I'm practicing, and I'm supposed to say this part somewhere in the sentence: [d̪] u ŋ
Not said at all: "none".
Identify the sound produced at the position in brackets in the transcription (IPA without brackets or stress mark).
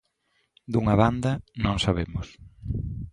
d̪